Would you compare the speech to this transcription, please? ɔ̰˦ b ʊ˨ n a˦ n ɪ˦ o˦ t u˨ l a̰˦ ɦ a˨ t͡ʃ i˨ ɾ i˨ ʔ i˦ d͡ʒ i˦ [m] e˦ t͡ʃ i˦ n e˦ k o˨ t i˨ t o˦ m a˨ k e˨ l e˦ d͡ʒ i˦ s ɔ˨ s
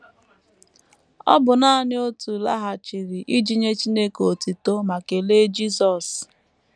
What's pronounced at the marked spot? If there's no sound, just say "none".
ɲ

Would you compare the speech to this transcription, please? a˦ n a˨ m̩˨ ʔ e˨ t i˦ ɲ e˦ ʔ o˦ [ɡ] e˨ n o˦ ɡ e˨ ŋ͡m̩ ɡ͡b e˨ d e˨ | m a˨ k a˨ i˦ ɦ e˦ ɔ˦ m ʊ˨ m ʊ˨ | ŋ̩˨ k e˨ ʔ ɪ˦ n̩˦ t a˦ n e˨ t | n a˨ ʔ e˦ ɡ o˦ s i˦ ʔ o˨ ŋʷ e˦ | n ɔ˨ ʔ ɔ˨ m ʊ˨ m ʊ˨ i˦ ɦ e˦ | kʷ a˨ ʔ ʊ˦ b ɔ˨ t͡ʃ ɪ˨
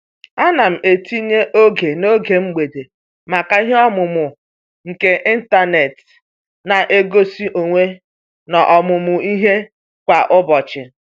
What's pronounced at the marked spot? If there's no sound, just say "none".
ɡ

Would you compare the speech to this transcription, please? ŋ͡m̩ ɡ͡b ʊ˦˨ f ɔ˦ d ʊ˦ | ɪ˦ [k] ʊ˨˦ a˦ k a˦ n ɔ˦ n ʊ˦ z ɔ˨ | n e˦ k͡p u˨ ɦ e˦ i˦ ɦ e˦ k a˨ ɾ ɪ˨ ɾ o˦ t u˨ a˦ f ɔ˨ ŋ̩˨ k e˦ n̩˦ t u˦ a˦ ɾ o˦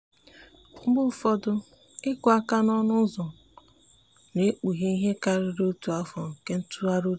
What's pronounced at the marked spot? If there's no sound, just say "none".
k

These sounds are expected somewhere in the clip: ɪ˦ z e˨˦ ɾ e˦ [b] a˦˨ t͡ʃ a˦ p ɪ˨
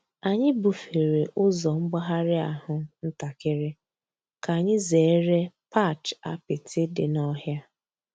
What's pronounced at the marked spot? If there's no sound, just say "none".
p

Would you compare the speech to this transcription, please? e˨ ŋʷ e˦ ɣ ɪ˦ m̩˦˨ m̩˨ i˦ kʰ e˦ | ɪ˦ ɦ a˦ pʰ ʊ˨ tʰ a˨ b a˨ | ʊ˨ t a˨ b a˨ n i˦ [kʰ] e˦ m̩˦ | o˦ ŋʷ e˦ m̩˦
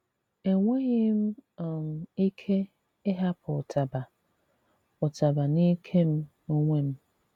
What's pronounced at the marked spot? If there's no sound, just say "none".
kʰ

